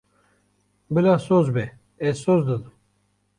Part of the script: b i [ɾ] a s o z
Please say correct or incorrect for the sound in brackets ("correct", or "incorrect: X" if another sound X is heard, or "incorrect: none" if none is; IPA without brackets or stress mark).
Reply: incorrect: l